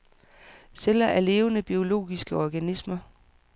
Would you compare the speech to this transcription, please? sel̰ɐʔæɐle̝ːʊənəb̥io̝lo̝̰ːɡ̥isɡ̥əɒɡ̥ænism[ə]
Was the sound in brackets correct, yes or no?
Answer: no